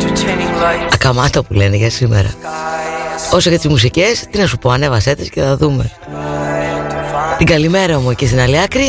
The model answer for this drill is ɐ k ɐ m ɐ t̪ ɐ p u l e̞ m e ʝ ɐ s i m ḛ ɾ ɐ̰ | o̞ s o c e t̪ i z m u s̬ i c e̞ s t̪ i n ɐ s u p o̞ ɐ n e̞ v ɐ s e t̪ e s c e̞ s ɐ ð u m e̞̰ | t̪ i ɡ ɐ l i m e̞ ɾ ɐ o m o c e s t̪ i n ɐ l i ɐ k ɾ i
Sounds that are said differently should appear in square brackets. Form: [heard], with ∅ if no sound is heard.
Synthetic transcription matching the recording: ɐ k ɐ m ɐ t̪ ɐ p u l e̞ [n] e ʝ ɐ s i m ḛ ɾ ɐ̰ | o̞ s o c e t̪ i z m u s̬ i c e̞ s t̪ i n ɐ s u p o̞ ɐ n e̞ v ɐ s e t̪ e s c e̞ [θ] ɐ ð u m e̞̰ | t̪ i ɡ ɐ l i m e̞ ɾ ɐ o m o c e s t̪ i n ɐ l i ɐ k ɾ i